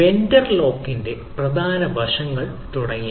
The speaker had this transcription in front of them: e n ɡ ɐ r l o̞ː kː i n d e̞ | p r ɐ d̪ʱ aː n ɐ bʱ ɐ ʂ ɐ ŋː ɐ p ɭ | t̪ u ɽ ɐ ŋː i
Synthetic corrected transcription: e n d ɐ r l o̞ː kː i n d e̞ | p r ɐ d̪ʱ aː n ɐ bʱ ɐ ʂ ɐ ŋː ɐ ɭ | t̪ u ɽ ɐ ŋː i

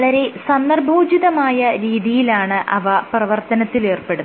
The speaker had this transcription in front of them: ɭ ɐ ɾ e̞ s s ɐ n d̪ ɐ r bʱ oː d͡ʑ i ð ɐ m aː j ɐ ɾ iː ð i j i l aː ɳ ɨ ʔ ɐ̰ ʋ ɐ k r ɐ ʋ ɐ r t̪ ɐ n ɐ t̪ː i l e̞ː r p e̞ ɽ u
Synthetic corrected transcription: ɭ ɐ ɾ e̞ s s ɐ n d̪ ɐ r bʱ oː d͡ʑ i ð ɐ m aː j ɐ ɾ iː ð i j i l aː ɳ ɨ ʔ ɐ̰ ʋ ɐ p r ɐ ʋ ɐ r t̪ ɐ n ɐ t̪ː i l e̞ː r p e̞ ɽ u

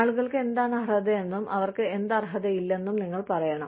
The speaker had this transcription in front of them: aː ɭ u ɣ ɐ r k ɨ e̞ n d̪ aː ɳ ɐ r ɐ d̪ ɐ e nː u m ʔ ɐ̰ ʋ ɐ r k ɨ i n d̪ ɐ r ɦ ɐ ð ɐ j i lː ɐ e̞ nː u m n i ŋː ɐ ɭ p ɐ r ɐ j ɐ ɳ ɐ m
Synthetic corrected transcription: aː ɭ u ɣ ɐ ɭ k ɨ e̞ n d̪ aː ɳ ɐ r ɐ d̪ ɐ e nː u m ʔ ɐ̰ ʋ ɐ r k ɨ e n d̪ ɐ r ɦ ɐ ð ɐ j i lː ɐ e̞ nː u m n i ŋː ɐ ɭ p ɐ r ɐ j ɐ ɳ ɐ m

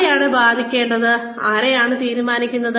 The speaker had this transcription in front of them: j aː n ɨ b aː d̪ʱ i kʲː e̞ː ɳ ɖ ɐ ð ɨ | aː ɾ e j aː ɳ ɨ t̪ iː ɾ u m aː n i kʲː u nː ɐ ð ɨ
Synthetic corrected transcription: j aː ɳ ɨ b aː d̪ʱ i kʲː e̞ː ɳ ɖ ɐ ð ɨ | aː ɾ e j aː ɳ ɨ t̪ iː ɾ u m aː n i kʲː u nː ɐ ð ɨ

